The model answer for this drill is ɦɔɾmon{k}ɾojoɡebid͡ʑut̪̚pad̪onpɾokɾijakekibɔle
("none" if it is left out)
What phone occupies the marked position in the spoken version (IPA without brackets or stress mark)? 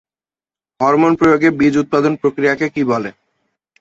p